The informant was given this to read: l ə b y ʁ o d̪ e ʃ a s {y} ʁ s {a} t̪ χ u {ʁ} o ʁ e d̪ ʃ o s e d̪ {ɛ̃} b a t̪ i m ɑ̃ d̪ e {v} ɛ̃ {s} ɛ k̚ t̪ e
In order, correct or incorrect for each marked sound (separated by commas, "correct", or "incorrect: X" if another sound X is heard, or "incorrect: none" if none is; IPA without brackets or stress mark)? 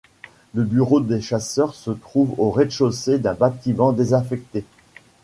incorrect: œ, incorrect: ə, incorrect: v, correct, incorrect: z, incorrect: f